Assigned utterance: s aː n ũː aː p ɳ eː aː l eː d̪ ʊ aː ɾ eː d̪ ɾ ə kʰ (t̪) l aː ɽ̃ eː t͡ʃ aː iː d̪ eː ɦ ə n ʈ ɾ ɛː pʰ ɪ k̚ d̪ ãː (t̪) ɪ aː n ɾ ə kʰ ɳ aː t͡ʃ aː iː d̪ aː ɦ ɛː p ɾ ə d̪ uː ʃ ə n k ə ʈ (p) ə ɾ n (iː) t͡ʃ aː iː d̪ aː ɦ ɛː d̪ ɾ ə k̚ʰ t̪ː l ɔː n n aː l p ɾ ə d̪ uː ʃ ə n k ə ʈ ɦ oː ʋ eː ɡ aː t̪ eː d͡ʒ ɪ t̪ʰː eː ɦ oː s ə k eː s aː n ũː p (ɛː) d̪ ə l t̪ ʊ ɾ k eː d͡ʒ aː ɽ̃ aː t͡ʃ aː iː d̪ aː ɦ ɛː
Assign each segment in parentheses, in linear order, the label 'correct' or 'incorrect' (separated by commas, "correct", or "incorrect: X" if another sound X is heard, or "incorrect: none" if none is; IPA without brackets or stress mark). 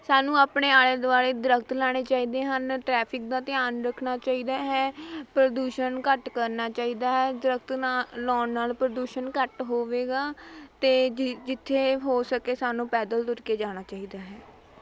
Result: correct, correct, incorrect: k, incorrect: aː, correct